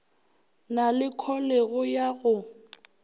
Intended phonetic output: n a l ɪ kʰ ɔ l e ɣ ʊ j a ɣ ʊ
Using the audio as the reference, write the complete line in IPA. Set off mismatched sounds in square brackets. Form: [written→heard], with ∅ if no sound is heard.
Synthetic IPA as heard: n a l ɪ kʰ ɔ l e ɣ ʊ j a ɣ ʊ